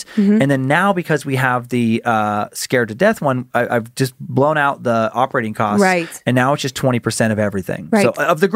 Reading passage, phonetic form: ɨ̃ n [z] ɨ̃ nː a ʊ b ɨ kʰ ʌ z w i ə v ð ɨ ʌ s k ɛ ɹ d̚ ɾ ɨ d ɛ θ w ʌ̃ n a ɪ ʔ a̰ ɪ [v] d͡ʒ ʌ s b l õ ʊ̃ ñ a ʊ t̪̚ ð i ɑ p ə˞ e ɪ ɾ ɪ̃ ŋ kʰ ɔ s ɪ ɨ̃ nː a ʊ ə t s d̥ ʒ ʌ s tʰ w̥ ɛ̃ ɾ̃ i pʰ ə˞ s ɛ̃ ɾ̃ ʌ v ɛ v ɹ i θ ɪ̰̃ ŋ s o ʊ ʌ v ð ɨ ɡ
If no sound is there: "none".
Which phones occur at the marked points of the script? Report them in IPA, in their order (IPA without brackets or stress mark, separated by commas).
ð, v